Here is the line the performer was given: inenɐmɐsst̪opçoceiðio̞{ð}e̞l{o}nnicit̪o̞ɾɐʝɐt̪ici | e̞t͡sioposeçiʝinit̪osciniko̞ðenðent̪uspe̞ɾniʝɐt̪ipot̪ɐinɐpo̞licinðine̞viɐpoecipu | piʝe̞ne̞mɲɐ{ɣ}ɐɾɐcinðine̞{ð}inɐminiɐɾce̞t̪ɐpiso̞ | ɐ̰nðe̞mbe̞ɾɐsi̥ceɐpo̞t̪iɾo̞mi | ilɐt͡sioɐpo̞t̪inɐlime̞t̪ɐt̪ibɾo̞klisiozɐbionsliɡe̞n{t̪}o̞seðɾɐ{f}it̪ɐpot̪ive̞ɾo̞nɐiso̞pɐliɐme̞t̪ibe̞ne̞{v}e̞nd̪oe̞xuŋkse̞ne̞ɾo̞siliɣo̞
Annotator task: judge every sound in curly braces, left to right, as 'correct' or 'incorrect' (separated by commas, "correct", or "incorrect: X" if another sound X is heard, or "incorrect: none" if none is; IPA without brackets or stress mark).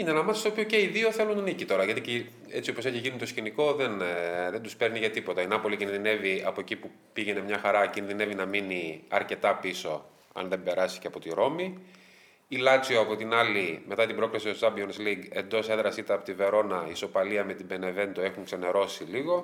incorrect: θ, incorrect: u, incorrect: x, incorrect: v, incorrect: d̪, incorrect: s, correct